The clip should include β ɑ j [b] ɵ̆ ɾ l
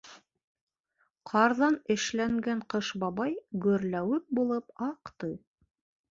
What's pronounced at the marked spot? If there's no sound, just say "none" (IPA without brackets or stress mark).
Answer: ɡ